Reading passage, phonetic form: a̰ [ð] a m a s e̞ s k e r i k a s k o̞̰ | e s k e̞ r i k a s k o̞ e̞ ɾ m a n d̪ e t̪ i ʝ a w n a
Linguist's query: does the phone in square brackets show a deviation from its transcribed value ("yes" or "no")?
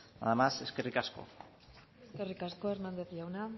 no